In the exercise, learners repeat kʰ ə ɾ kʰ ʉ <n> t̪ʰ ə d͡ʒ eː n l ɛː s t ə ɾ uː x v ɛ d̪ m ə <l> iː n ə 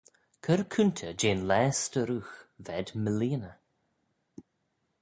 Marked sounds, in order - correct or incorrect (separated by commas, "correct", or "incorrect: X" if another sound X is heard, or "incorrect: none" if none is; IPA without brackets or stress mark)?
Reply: correct, correct